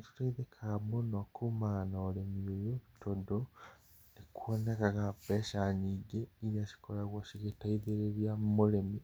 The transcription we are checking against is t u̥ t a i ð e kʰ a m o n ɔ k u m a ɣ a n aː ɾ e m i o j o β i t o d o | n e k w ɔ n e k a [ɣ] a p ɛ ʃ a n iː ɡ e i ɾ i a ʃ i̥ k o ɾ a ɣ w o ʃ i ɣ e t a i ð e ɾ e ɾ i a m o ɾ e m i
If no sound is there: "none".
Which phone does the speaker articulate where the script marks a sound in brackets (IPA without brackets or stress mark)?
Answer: ɣ